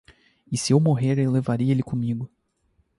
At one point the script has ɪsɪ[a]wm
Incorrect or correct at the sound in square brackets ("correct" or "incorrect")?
incorrect